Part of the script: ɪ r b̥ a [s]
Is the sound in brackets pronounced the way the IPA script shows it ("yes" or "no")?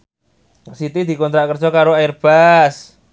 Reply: yes